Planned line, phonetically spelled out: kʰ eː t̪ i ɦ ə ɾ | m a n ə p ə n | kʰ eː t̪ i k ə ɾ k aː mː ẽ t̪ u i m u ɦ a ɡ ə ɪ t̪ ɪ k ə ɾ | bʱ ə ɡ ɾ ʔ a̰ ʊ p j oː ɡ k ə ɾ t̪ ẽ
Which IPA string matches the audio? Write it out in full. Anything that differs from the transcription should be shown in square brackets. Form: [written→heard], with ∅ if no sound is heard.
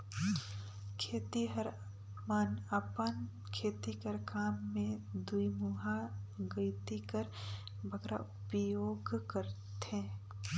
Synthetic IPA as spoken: kʰ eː t̪ i ɦ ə ɾ | m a n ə p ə n | kʰ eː t̪ i k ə ɾ k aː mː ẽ [t̪→d̪] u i m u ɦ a ɡ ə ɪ t̪ [ɪ→i] k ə ɾ | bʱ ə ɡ ɾ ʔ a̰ ʊ p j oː ɡ k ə ɾ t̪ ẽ